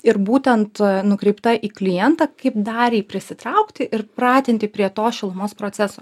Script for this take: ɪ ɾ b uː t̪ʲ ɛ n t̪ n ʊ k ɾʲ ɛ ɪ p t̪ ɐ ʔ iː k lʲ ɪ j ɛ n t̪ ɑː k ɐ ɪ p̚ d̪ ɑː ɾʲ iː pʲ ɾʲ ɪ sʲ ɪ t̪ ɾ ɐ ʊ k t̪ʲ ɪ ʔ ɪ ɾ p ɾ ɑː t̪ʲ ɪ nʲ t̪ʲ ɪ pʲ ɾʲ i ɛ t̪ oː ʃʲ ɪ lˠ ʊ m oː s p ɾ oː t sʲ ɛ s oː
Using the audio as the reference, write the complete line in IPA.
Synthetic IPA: ɪ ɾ b uː t̪ʲ ɛ n t̪ n ʊ k ɾʲ ɛ ɪ p t̪ ɐ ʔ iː k lʲ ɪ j ɛ n t̪ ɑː k ɐ ɪ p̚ d̪ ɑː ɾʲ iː pʲ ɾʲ ɪ sʲ ɪ t̪ ɾ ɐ ʊ k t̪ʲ ɪ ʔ ɪ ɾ p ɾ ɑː t̪ʲ ɪ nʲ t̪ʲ ɪ pʲ ɾʲ i ɛ t̪ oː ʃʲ ɪ lˠ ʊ m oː s p ɾ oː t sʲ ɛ s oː